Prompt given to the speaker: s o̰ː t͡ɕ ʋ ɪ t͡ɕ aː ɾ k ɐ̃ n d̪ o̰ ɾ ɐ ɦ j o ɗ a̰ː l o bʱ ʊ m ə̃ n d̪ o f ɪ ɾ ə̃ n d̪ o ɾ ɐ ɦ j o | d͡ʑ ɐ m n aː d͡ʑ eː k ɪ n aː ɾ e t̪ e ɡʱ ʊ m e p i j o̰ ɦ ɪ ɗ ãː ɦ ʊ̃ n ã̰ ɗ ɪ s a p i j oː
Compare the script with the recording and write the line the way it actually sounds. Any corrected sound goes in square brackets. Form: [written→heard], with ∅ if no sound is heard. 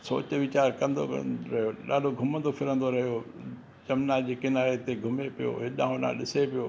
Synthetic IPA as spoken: s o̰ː t͡ɕ ʋ ɪ t͡ɕ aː ɾ k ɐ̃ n d̪ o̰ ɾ ɐ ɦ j o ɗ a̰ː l o [bʱ→ɡʱ] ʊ m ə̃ n d̪ o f ɪ ɾ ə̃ n d̪ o ɾ ɐ ɦ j o | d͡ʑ ɐ m n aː d͡ʑ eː k ɪ n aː ɾ e t̪ e ɡʱ ʊ m e p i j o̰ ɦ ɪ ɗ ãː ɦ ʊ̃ n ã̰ ɗ ɪ s [a→e] p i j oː